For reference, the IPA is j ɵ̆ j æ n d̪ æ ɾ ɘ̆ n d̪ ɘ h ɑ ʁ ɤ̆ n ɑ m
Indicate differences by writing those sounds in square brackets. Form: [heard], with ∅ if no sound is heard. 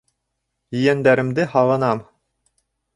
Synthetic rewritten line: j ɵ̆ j æ n d̪ æ ɾ ɘ̆ [m] d̪ ɘ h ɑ ʁ ɤ̆ n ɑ m